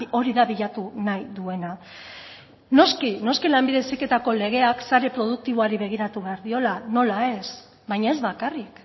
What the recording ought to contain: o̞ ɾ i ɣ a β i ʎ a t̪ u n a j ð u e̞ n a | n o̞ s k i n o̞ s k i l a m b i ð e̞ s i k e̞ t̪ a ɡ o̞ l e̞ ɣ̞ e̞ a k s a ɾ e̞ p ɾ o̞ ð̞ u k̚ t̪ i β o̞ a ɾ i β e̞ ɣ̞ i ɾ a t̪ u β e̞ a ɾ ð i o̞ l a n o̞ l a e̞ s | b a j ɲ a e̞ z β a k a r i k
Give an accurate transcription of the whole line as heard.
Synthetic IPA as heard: o̞ ɾ i ð a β i ʎ a t̪ u n a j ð u e̞ n a | n o̞ s k i n o̞ s k i l a m b i ð e̞ s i k e̞ t̪ a k o̞ l e̞ ɣ̞ e̞ a k s a ɾ e̞ p ɾ o̞ ð̞ u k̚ t̪ i β o̞ a ɾ i β e̞ ɣ̞ i ɾ a t̪ u β e̞ a ɾ ð i o̞ l a n o̞ l a e̞ s | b a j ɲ a e̞ z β a k a r i k

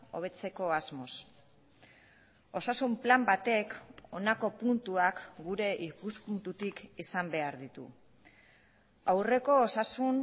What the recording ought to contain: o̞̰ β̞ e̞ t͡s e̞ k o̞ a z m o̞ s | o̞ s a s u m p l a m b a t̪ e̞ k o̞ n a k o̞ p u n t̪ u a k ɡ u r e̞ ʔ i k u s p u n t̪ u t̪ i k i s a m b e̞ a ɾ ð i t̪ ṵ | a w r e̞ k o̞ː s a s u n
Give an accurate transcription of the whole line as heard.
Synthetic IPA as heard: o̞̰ β̞ e̞ t͡s e̞ k o̞ a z m o̞ s | o̞ s a s u m p l a m b a t̪ e̞ k o̞ n a k o̞ p u n t̪ u a k ɡ u ɾ e̞ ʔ i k u s p u n t̪ u t̪ i k i s a m b e̞ a ɾ ð i t̪ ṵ | a w r e̞ k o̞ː s a s u n

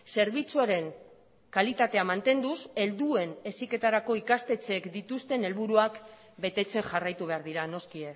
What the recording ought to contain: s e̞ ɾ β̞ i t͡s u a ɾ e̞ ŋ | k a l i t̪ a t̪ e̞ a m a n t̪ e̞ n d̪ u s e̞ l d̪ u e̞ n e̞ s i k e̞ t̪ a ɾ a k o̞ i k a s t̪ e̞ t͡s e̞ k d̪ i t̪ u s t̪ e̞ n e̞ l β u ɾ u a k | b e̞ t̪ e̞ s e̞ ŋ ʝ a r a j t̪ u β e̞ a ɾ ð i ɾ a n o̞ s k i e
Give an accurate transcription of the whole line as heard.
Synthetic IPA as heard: s e̞ ɾ β̞ i t͡s u a ɾ e̞ ŋ | k a l i t̪ a t̪ e̞ a m a n t̪ e̞ n d̪ u s e̞ l d̪ u e̞ n e̞ s i k e̞ t̪ a ɾ a k o̞ i k a s t̪ e̞ t͡s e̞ k d̪ i t̪ u s t̪ e̞ n e̞ l β u ɾ u a k | b e̞ t̪ e̞ t͡s e̞ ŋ ʝ a r a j t̪ u β e̞ a ɾ ð i ɾ a n o̞ s k i e

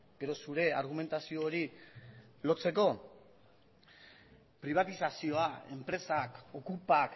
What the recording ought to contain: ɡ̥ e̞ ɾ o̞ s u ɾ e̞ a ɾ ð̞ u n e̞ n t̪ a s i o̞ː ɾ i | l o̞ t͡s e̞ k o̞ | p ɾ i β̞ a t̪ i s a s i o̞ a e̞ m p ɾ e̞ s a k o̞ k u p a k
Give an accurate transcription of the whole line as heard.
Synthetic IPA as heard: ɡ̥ e̞ ɾ o̞ s u ɾ e̞ a ɾ ɣ̞ u m e̞ n t̪ a s i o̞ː ɾ i | l o̞ t͡s e̞ k o̞ | p ɾ i β̞ a t̪ i s a s i o̞ a e̞ m p ɾ e̞ s a k o̞ k u p a k

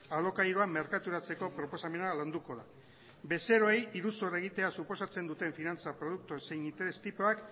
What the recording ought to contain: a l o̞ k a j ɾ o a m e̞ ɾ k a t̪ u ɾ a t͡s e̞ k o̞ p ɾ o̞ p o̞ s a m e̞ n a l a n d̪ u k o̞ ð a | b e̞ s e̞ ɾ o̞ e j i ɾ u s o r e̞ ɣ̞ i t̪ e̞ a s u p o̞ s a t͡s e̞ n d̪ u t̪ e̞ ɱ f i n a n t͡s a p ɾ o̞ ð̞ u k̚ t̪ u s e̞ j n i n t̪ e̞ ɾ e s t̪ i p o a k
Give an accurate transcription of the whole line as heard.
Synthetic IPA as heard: a l o̞ k a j ɾ o a m e̞ ɾ k a t̪ u ɾ a t͡s e̞ k o̞ p ɾ o̞ p o̞ s a m e̞ n a l a n d̪ u k o̞ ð a | b e̞ s e̞ ɾ o̞ e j i ɾ u s o r e̞ ɣ̞ i t̪ e̞ a s u p o̞ s a t͡s e̞ n d̪ u t̪ e̞ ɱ f i n a n t͡s a p ɾ o̞ ð̞ u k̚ t̪ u s e̞ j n i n t̪ e̞ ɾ e s t̪ i p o a k

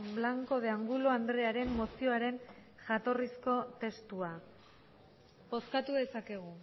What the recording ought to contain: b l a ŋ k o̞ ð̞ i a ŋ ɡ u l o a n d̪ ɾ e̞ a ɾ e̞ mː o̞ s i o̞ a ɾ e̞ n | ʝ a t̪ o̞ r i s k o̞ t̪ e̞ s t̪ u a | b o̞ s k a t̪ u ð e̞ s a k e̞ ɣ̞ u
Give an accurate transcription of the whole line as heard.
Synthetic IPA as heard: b l a ŋ k o̞ ð̞ e a ŋ ɡ u l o a n d̪ ɾ e̞ a ɾ e̞ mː o̞ s i o̞ a ɾ e̞ n | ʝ a t̪ o̞ r i s k o̞ t̪ e̞ s t̪ u a | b o̞ s k a t̪ u ð e̞ s a k e̞ ɣ̞ u

